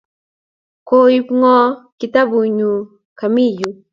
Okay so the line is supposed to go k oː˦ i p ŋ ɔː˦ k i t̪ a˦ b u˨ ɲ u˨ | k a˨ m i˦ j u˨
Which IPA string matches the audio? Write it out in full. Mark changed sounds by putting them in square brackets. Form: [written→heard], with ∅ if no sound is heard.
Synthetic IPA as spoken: k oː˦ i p ŋ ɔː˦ k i t̪ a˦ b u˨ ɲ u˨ | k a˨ m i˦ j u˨

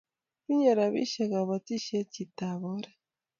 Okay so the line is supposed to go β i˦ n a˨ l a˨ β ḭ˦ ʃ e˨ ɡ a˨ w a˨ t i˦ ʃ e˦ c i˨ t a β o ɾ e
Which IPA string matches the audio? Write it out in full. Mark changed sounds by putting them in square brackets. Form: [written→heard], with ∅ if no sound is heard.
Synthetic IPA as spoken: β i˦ [n→ɲ] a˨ [l→ɾ] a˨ β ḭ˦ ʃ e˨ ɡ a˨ [w→β] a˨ t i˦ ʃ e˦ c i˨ t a β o ɾ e

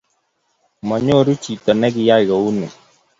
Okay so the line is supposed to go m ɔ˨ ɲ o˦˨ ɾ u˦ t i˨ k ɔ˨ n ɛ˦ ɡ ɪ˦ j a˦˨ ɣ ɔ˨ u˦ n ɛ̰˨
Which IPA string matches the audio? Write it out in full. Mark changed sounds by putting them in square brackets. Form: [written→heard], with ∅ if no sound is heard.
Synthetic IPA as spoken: m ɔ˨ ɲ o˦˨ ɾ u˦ [t→t͡ʃ] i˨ [k→t] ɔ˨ n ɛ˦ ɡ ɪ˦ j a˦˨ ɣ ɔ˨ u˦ n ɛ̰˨

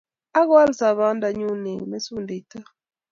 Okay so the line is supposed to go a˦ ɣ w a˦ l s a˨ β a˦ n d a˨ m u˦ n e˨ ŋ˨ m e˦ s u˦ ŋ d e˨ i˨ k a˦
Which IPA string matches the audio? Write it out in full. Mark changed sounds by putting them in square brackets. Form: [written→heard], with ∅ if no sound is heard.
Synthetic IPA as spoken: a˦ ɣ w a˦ l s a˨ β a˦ n d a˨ [m→ɲ] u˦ n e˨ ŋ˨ m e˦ s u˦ [ŋ→n] d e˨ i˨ [k→t] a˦

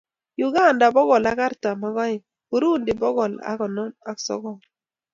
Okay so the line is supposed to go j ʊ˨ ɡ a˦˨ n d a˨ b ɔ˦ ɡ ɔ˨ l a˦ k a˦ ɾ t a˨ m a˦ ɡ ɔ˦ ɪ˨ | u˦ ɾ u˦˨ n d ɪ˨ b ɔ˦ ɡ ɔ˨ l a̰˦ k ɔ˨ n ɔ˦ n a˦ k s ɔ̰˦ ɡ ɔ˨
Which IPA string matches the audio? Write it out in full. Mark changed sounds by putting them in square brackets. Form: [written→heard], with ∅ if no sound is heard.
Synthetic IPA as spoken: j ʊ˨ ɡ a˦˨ n d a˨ b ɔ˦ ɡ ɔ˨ l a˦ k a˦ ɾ t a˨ m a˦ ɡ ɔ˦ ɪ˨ | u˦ ɾ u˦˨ n d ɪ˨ b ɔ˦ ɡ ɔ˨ l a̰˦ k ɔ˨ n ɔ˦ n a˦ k s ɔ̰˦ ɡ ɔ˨

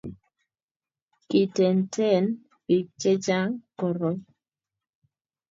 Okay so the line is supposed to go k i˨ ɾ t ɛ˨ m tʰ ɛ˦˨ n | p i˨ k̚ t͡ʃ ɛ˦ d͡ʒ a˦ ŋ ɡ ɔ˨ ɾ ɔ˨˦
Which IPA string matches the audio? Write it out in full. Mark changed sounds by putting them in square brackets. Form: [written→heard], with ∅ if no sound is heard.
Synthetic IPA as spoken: k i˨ [ɾ→∅] t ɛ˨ [m→n] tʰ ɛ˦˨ n | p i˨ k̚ t͡ʃ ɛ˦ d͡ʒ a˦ ŋ [ɡ→k] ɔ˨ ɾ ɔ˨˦

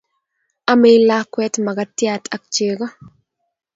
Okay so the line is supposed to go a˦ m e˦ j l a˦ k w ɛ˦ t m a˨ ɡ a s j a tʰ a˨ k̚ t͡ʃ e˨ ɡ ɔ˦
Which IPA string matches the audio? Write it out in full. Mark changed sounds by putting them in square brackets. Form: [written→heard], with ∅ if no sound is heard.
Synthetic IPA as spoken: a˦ m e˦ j l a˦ k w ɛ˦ t m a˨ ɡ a [s→t] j a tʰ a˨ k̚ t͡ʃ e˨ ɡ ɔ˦

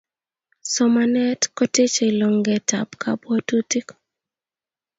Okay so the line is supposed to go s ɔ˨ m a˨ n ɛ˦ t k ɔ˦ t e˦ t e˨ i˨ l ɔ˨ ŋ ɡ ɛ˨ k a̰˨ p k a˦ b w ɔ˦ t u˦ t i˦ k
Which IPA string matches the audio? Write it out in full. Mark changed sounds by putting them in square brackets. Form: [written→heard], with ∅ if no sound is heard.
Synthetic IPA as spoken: s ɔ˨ m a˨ n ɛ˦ t k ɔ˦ t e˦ [t→t͡ʃ] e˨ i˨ l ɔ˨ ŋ ɡ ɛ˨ [k→t] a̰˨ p k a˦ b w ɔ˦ t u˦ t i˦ k

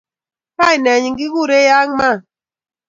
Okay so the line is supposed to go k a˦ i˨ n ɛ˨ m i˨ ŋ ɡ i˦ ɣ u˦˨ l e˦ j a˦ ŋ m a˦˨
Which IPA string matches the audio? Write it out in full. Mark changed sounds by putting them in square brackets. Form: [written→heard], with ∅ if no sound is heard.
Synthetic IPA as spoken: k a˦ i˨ n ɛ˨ [m→ɲ] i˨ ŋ ɡ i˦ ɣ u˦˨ [l→ɾ] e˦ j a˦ ŋ m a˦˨

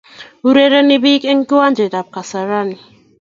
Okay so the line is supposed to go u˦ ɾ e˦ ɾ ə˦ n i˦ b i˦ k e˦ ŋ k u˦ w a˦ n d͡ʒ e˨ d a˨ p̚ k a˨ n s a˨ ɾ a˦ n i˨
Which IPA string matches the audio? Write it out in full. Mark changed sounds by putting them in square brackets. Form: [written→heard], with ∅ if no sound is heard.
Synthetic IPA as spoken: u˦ ɾ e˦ ɾ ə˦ n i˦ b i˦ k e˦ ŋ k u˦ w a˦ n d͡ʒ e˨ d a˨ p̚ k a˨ [n→∅] s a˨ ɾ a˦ n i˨

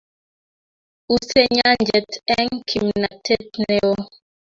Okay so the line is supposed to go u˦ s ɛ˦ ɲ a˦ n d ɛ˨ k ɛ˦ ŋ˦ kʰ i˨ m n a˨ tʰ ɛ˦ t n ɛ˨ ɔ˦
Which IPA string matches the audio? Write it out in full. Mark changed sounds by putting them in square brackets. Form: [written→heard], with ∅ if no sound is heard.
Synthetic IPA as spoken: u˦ s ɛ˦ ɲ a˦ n [d→d͡ʒ] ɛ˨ [k→t] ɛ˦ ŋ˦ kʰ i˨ m n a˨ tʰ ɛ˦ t n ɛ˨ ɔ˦

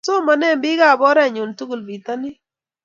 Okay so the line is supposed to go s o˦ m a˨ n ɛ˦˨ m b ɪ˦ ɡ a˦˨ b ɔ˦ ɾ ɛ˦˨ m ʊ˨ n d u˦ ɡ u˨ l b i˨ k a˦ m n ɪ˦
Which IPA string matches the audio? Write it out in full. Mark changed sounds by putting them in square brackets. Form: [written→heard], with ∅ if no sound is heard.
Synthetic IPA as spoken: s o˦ m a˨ n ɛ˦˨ m b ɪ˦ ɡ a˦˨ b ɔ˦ ɾ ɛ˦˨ [m→ɲ] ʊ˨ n [d→t] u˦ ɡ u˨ l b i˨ [k→t] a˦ [m→∅] n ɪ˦

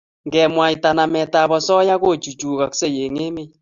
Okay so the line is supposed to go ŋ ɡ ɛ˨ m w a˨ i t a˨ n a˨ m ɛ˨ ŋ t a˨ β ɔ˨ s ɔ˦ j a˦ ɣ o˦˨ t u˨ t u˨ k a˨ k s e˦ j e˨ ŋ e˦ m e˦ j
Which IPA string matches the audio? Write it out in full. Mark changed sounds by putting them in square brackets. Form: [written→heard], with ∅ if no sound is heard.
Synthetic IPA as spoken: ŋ ɡ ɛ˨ m w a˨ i t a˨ n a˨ m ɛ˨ [ŋ→∅] t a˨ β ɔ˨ s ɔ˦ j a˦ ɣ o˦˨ [t→t͡ʃ] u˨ [t→t͡ʃ] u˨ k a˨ k s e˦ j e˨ ŋ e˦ m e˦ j

